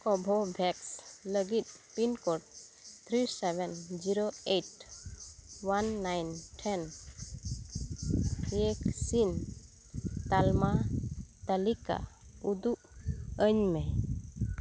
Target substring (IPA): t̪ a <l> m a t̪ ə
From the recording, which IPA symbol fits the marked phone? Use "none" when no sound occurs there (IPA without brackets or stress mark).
l